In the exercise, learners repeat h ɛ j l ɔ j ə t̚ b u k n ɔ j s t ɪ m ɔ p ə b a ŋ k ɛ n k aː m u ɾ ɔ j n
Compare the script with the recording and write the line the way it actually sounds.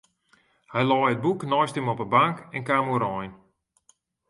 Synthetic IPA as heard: h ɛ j l ɔ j ə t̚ b u k n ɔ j s t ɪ m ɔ p ə b a ŋ k ɛ n k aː m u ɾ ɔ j n

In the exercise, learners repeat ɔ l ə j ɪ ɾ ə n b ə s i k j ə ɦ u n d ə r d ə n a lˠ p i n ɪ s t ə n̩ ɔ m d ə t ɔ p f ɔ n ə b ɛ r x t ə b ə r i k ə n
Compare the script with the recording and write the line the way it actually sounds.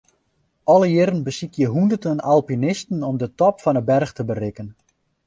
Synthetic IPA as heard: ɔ l ə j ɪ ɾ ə n b ə s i k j ə ɦ u n d ə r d ə n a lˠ p i n ɪ s t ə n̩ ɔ m d ə t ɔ p f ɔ n ə b ɛ r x t ə b ə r ɪ k ə n

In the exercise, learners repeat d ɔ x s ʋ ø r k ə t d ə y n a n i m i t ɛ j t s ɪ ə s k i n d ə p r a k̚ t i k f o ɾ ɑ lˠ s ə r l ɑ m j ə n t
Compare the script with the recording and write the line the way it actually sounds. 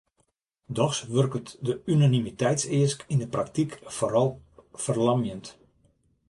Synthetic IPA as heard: d ɔ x s ʋ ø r k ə t d ə y n a n i m i t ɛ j t s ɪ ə s k i n d ə p r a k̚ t i k f o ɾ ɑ lˠ f ə r l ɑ m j ə n t

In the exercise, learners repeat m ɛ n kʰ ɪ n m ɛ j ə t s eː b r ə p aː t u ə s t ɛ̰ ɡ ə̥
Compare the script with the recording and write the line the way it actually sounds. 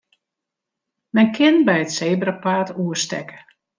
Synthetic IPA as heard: m ɛ n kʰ ɪ n b ɛ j ə t s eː b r ə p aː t u ə s t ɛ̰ k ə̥

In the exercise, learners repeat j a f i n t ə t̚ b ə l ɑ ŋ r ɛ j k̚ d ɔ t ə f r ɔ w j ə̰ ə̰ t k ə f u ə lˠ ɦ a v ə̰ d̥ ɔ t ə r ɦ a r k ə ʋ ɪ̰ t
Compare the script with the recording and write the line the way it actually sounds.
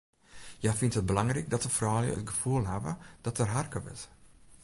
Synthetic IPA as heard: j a f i n t ə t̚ b ə l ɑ ŋ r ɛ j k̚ d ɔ t ə f r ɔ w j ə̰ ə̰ t ɡ ə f u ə lˠ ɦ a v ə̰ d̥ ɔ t ə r ɦ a r k ə ʋ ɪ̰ t

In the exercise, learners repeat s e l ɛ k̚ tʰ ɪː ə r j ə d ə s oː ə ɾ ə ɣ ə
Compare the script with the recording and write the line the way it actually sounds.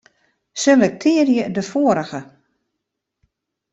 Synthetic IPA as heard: s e l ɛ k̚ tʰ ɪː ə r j ə d ə f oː ə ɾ ə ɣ ə

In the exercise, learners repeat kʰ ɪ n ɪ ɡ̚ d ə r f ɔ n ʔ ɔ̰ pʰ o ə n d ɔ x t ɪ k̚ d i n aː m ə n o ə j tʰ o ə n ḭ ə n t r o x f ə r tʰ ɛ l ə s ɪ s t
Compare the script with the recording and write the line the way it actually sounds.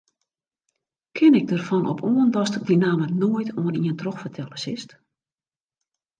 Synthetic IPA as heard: kʰ ɪ n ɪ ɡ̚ d ə r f ɔ n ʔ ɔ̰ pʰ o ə n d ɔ s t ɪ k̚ d i n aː m ə n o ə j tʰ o ə n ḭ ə n t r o x f ə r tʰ ɛ l ə s ɪ s t

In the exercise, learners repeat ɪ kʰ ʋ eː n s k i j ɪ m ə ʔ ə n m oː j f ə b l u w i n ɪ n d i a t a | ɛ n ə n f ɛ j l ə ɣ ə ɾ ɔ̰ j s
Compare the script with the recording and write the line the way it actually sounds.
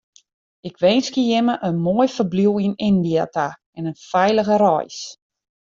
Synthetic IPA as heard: ɪ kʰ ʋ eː n s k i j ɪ m ə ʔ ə n m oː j f ə b l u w i n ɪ n d i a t a | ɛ n ə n f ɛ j l ə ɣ ə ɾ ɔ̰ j s

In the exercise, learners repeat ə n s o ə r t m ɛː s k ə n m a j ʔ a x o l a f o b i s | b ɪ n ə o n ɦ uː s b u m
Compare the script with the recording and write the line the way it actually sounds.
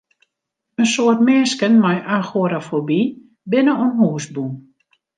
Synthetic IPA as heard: ə n s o ə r t m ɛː s k ə n m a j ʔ a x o ɾ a f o b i | b ɪ n ə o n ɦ uː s b u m

